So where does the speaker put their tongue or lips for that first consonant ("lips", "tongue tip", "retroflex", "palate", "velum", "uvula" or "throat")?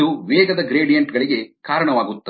lips